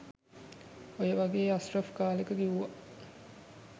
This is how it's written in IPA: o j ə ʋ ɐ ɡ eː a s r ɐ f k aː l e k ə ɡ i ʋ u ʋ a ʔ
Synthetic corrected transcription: o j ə ʋ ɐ ɡ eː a s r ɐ f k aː l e k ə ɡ i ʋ u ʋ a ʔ